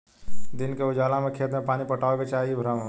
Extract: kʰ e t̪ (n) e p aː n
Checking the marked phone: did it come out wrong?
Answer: yes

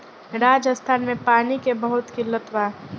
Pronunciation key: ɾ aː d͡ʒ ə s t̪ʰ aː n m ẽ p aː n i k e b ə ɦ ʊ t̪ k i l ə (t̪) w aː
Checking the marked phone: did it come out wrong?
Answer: no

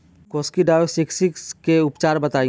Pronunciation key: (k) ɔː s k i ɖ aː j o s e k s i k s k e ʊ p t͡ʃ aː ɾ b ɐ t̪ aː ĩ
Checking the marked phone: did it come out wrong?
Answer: no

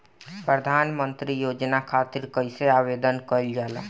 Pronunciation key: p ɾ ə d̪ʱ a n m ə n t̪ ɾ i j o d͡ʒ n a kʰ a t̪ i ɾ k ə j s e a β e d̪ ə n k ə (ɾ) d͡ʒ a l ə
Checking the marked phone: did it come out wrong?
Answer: yes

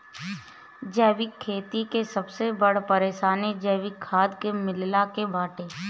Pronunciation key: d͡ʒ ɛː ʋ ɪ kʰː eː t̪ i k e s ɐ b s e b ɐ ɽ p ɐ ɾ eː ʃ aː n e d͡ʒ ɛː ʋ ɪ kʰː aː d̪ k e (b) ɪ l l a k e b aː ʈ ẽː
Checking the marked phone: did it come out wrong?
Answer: yes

